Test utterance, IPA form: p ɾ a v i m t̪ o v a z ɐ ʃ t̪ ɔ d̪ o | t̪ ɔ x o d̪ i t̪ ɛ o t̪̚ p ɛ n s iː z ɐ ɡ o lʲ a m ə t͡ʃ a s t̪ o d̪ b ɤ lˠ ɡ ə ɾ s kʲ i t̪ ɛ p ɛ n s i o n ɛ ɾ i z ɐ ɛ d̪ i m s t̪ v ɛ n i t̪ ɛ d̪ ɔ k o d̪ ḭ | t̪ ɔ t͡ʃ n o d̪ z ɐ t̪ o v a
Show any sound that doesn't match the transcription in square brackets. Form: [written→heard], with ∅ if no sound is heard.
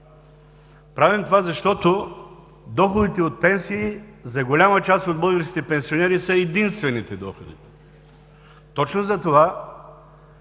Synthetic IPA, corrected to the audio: p ɾ a v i m t̪ o v a z ɐ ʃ t̪ ɔ [d̪→t̪] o | [t̪→d̪] ɔ x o d̪ i t̪ ɛ o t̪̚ p ɛ n s iː z ɐ ɡ o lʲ a m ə t͡ʃ a s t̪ o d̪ b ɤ lˠ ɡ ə ɾ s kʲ i t̪ ɛ p ɛ n s i o n ɛ ɾ i [z→s] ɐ ɛ d̪ i [m→n] s t̪ v ɛ n i t̪ ɛ d̪ ɔ [k→x] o d̪ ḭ | t̪ ɔ t͡ʃ n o [d̪→∅] z ɐ t̪ o v a